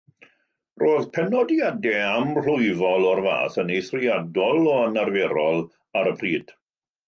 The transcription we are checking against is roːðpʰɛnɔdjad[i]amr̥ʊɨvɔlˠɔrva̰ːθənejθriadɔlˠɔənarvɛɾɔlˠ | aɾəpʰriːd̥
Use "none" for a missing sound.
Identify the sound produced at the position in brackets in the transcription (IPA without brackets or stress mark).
ɛ